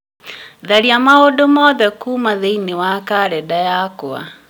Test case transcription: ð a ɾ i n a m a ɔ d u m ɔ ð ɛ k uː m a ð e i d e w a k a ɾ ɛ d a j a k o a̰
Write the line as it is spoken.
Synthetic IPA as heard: ð a ɾ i a m a o d o m ɔ ð ɛ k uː m a ð e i n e w a k a ɾ ɛ d a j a k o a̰